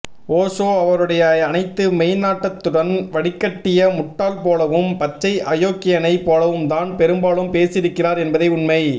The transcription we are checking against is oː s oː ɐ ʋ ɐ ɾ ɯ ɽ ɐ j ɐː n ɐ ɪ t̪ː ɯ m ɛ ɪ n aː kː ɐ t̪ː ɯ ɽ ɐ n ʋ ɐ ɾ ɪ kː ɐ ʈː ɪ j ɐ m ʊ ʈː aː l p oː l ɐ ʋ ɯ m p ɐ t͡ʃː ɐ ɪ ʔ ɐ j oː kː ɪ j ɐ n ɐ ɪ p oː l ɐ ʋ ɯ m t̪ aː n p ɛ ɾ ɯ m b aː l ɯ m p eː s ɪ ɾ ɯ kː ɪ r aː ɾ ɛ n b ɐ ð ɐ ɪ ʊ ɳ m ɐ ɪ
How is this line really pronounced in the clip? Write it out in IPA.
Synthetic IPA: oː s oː ɐ ʋ ɐ ɾ ɯ ɽ ɐ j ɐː n ɐ ɪ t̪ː ɯ m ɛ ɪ n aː ʈː ɐ t̪ː ɯ ɽ ɐ n ʋ ɐ ɽ ɪ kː ɐ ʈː ɪ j ɐ m ʊ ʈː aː l p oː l ɐ ʋ ɯ m p ɐ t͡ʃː ɐ ɪ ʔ ɐ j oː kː ɪ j ɐ n ɐ ɪ p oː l ɐ ʋ ɯ m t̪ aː n p ɛ ɾ ɯ m b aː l ɯ m p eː s ɪ ɾ ɯ kː ɪ r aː ɾ ɛ n b ɐ ð ɐ ɪ ʊ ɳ m ɐ ɪ